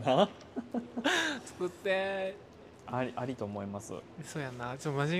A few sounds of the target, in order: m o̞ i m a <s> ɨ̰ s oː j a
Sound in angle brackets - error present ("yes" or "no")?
no